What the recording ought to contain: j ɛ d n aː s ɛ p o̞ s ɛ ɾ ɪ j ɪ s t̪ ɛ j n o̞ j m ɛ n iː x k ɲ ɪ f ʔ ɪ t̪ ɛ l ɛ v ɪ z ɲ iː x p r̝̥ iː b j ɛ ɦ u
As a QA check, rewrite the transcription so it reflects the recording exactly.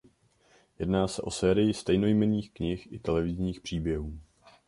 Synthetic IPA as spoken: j ɛ d n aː s ɛ ʔ o̞ s ɛː ɾ ɪ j ɪ s t̪ ɛ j n o̞ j m ɛ n iː x k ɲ ɪ x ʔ ɪ t̪ ɛ l ɛ v ɪ z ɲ iː x p r̝̥ iː b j ɛ ɦ uː